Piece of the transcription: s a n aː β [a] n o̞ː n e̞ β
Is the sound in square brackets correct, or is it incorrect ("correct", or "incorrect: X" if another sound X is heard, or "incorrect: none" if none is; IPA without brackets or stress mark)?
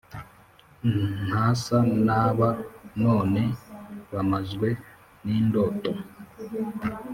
correct